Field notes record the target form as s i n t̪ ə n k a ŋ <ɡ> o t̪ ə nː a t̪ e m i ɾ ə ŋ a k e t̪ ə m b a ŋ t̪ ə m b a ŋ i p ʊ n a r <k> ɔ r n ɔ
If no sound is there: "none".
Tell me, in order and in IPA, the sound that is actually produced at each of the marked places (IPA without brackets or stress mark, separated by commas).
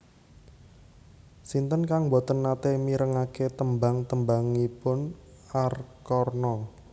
b, k